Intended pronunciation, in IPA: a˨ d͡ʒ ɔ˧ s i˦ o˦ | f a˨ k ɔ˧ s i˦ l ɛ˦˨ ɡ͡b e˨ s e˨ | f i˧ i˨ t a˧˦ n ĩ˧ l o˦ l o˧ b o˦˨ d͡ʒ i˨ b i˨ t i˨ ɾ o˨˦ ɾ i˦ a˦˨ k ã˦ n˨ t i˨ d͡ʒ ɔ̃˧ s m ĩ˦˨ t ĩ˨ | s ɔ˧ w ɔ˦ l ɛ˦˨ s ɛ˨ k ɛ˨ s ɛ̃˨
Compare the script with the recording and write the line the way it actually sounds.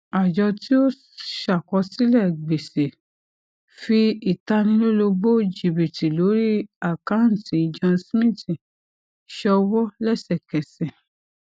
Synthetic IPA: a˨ d͡ʒ ɔ˧ t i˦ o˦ | ʃ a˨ k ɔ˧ s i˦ l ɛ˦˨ ɡ͡b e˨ s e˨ | f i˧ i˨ t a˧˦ n ĩ˧ l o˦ l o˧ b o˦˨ d͡ʒ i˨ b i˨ t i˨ l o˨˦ ɾ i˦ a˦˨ k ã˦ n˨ t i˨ d͡ʒ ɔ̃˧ s m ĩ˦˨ t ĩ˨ | ʃ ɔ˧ w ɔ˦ l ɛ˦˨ s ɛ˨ k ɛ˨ s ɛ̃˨